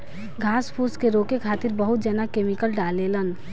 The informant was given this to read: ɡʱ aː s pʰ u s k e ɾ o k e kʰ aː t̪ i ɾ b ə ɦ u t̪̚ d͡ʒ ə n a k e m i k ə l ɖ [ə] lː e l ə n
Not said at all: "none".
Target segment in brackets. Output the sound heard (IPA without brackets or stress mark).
a